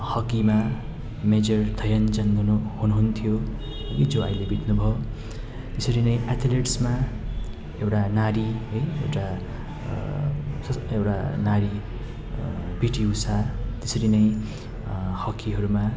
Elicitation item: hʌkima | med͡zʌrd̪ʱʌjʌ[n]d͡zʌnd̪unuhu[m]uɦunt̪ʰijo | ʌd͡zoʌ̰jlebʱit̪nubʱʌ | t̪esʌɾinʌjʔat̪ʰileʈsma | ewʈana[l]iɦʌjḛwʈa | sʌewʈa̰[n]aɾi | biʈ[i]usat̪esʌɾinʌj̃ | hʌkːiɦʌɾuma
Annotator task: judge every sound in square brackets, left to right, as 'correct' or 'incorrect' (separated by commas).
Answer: correct, incorrect, incorrect, correct, correct